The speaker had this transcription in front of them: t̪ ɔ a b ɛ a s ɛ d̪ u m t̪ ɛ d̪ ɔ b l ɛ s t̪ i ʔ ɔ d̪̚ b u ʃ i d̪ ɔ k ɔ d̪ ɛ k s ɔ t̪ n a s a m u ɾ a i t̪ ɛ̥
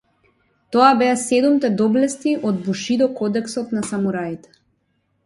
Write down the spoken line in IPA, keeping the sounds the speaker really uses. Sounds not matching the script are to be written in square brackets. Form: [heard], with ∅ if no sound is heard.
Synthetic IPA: t̪ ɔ a b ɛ a s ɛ d̪ u m t̪ ɛ d̪ ɔ b l ɛ s t̪ i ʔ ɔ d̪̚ b u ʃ i d̪ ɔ k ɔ d̪ ɛ k s ɔ t̪ n a s a m u ɾ a i t̪ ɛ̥